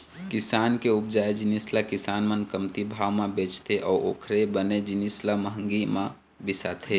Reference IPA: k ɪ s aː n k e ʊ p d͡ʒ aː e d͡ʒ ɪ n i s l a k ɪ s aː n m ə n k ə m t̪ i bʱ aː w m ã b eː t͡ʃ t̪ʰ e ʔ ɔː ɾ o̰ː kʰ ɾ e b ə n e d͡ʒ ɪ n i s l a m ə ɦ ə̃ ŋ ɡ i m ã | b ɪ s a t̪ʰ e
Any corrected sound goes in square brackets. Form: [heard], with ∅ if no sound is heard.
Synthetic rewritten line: k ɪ s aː n k e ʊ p d͡ʒ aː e d͡ʒ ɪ n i s l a k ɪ s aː n m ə n k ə m t̪ i bʱ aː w m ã b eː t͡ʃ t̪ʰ e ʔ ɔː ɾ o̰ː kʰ ɾ e b ə n e d͡ʒ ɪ n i s l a m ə ɦ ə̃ ŋ ɡ i m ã | b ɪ s a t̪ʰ e

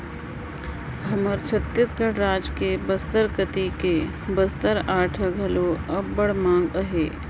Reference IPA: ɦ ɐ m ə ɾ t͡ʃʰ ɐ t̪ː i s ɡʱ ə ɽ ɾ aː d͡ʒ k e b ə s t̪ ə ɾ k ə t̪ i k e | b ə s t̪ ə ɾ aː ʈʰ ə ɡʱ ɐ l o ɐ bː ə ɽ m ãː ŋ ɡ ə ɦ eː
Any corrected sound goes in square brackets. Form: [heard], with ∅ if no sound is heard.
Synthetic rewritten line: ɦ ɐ m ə ɾ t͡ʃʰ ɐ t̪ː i s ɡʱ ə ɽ ɾ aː d͡ʒ k e b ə s t̪ ə ɾ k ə t̪ i k e | b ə s t̪ ə ɾ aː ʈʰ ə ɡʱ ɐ l o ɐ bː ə ɽ m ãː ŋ ɡ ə ɦ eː

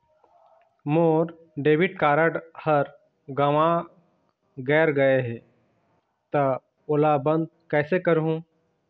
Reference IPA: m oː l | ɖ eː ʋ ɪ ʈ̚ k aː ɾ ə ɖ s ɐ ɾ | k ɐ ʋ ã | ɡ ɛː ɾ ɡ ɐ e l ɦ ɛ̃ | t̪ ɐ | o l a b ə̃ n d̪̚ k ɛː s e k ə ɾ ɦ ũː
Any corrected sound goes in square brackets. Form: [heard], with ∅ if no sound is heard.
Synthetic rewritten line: m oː [ɾ] | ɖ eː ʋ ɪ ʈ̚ k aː ɾ ə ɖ [h] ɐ ɾ | [ɡ] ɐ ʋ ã | ɡ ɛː ɾ ɡ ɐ e [∅] ɦ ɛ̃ | t̪ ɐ | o l a b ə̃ n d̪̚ k ɛː s e k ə ɾ ɦ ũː

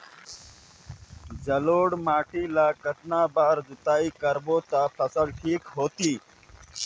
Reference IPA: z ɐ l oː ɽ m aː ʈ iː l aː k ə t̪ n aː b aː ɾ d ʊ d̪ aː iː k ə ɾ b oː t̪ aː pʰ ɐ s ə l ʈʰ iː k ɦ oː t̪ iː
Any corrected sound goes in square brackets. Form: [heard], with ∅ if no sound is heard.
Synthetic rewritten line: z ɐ l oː ɽ m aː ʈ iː l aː k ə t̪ n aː b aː ɾ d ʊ [t̪] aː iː k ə ɾ b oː t̪ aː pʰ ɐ s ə l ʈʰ iː k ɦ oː t̪ iː

